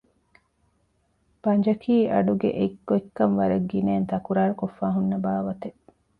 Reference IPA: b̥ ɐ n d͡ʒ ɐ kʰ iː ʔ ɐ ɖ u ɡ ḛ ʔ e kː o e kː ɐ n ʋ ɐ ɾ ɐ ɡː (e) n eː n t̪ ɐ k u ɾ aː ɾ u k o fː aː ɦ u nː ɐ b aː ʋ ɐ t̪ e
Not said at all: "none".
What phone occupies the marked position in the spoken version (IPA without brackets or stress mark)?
i